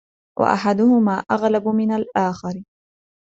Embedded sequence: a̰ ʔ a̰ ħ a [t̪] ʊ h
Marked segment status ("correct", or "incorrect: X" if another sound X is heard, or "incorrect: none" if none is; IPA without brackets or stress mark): incorrect: d̪